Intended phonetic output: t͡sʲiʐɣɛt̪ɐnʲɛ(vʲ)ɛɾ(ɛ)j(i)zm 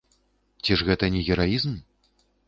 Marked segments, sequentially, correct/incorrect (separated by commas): incorrect, incorrect, correct